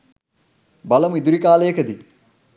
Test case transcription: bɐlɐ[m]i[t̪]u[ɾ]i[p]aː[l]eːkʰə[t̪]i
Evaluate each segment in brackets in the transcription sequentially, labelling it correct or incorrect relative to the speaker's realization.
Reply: correct, incorrect, correct, incorrect, correct, incorrect

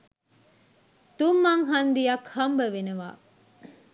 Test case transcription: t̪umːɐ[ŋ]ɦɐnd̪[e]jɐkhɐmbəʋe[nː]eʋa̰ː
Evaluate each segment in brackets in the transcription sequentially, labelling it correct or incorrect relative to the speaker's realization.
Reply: correct, incorrect, incorrect

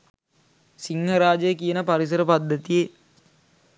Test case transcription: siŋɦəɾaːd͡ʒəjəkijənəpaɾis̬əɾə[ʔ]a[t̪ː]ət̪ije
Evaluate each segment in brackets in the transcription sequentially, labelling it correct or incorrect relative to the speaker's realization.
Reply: incorrect, incorrect

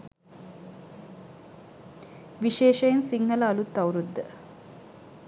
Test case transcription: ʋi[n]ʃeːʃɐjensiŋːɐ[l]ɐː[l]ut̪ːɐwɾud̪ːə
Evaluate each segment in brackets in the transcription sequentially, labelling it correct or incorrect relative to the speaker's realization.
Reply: incorrect, correct, correct

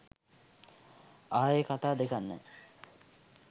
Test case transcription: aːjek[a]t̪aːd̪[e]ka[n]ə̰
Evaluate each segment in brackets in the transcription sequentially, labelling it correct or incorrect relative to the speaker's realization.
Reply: correct, correct, incorrect

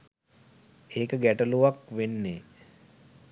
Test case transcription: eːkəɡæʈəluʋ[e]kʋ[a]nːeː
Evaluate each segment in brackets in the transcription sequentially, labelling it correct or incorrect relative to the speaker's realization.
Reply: incorrect, incorrect

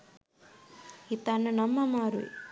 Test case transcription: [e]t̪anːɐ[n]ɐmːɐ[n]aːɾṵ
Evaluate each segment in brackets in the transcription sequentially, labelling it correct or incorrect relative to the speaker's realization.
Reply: incorrect, correct, incorrect

